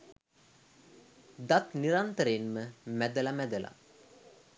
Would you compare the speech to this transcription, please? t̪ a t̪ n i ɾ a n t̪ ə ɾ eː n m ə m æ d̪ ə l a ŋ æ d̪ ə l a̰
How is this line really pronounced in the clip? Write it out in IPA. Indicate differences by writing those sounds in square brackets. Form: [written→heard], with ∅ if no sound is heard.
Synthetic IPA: [t̪→d̪] a t̪ n i ɾ a n t̪ ə ɾ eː n m ə m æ d̪ ə l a [ŋ→m] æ d̪ ə l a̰